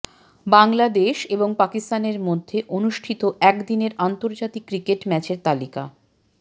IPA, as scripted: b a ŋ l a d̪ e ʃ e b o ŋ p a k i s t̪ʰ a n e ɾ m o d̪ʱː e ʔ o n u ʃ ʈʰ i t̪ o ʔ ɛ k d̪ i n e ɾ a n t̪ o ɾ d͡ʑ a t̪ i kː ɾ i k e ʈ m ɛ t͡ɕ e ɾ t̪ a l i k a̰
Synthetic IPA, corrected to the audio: b a ŋ l a d̪ e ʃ e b o ŋ p a k i s t̪ a n e ɾ m o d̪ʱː e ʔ o n u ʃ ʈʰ i t̪ o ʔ ɛ k d̪ i n e ɾ a n t̪ o ɾ d͡ʑ a t̪ i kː ɾ i k e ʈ m ɛ t͡ɕ e ɾ t̪ a l i k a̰